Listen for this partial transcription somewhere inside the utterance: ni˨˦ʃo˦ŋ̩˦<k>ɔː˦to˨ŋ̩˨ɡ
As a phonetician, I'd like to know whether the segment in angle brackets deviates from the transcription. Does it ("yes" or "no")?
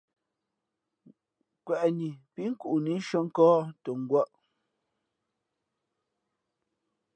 no